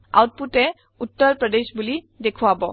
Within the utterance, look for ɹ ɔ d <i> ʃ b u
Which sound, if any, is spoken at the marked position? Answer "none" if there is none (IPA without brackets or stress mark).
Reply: e